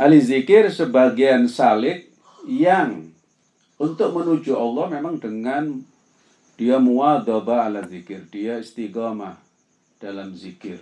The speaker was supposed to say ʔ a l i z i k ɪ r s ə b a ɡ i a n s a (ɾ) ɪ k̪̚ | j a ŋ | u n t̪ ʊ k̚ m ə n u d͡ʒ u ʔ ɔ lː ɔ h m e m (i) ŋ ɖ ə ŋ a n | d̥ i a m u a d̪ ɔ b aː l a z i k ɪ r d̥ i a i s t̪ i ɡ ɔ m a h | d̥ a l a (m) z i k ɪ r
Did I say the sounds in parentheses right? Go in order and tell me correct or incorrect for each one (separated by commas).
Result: incorrect, incorrect, correct